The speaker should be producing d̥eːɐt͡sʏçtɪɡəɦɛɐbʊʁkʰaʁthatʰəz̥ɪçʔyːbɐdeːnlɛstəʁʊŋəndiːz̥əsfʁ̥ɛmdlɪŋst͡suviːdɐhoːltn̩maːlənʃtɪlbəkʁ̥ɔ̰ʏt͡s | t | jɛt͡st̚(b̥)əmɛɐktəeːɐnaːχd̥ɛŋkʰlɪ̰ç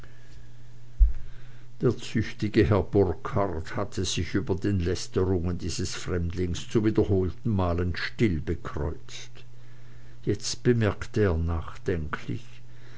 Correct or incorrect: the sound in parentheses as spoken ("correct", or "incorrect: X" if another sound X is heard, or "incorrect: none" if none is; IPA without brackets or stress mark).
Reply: correct